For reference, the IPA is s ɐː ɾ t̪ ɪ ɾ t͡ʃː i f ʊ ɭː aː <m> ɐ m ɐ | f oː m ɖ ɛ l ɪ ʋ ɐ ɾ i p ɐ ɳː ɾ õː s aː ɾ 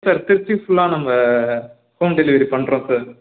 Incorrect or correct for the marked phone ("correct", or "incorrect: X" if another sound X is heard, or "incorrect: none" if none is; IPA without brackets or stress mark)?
incorrect: n